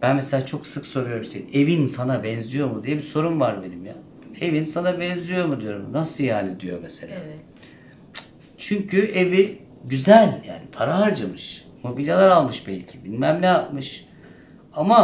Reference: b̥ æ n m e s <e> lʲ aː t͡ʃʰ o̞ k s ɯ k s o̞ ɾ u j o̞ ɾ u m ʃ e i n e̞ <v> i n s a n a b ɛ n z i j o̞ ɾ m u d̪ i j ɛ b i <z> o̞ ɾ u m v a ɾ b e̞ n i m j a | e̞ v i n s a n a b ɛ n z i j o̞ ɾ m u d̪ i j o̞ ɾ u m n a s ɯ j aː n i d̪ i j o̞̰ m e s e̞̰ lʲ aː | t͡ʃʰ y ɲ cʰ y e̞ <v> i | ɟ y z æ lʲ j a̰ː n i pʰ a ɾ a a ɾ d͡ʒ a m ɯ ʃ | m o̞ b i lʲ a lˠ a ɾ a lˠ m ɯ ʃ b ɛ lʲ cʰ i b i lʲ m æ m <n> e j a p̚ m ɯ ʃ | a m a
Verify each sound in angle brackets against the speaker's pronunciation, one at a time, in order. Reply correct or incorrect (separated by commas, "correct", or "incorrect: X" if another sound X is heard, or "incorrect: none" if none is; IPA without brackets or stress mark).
correct, correct, incorrect: s, correct, correct